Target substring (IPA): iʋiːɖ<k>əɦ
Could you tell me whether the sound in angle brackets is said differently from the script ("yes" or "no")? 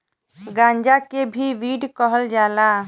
no